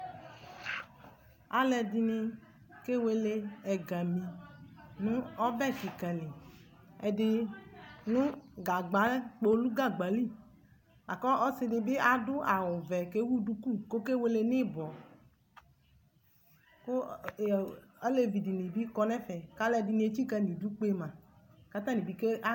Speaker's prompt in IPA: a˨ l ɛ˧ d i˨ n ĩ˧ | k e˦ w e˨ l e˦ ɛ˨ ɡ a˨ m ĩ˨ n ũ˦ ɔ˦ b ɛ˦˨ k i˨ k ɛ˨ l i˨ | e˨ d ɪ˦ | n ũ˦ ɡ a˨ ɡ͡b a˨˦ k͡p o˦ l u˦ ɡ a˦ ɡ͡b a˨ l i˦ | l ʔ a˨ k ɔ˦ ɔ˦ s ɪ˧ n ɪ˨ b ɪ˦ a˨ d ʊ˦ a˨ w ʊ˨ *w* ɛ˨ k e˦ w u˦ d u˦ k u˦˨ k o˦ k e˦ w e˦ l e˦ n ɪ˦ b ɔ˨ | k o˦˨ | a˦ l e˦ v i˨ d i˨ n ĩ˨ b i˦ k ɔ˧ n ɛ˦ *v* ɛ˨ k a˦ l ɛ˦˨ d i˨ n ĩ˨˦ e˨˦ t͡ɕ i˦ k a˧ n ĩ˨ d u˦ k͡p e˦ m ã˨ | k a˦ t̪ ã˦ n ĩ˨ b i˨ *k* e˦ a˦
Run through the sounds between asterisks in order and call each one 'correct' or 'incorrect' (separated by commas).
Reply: incorrect, incorrect, correct